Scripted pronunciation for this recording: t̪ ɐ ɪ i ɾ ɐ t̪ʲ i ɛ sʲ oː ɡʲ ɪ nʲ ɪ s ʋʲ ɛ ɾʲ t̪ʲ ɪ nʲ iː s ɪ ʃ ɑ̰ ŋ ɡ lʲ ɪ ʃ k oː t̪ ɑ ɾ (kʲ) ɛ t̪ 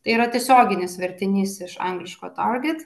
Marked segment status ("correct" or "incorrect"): incorrect